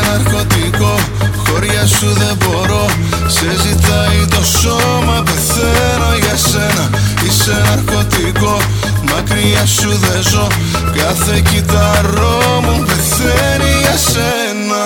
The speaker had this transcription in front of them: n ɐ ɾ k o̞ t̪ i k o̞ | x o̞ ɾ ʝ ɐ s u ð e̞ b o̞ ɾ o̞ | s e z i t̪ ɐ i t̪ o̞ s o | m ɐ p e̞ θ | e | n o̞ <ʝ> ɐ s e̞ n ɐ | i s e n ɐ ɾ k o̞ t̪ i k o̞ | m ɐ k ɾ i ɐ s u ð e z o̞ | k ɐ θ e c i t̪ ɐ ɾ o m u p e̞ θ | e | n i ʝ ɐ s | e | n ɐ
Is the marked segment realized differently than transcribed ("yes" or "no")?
no